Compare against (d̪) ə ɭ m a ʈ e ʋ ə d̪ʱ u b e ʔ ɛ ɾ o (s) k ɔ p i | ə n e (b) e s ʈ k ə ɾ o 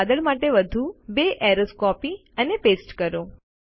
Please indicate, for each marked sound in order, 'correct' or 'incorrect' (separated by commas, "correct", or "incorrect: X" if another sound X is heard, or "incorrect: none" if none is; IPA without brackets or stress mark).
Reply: correct, correct, incorrect: p